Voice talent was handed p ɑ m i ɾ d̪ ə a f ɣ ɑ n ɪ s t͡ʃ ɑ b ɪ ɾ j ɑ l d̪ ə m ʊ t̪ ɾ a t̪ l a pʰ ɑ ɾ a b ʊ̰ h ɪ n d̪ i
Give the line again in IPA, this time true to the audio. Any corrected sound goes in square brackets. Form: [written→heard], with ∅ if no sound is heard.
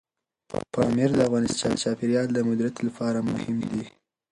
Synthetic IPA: p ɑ m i ɾ d̪ ə a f ɣ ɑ n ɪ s t͡ʃ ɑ [b→p] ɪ ɾ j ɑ l d̪ ə m ʊ [t̪→d̪] ɾ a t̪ l a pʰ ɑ ɾ a [b→m] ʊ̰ h ɪ [n→m] d̪ i